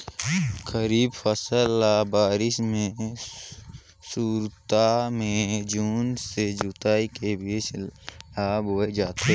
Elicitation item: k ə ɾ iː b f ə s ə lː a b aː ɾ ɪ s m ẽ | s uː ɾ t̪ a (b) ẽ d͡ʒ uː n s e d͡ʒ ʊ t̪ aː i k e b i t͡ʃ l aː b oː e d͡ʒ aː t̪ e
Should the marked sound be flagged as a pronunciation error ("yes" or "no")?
yes